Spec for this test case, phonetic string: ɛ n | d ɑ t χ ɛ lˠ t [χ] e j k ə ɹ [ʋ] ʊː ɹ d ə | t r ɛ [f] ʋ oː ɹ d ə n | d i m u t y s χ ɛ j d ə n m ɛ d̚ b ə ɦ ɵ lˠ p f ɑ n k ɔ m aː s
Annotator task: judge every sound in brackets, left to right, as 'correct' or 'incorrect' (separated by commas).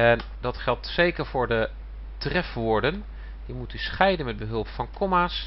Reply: incorrect, incorrect, correct